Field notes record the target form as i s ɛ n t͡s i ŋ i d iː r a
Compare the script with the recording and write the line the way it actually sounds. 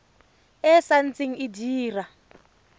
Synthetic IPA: ɛ s a n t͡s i ŋ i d iː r a